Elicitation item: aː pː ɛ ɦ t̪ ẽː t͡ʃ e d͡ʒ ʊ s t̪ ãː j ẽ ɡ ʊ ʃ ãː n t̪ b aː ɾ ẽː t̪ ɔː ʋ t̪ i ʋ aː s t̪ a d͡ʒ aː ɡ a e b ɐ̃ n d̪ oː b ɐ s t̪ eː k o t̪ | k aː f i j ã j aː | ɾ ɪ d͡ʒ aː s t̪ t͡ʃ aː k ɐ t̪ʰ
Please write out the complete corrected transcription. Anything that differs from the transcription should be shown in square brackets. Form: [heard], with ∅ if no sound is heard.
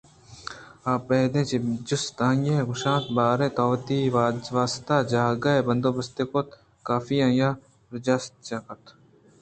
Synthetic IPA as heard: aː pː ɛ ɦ [d̪] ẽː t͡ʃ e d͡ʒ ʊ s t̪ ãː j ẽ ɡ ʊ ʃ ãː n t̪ b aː ɾ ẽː t̪ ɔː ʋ t̪ i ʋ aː s t̪ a d͡ʒ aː ɡ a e b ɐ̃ n d̪ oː b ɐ s t̪ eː k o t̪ | k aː f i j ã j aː | ɾ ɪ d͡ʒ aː s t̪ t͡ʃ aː k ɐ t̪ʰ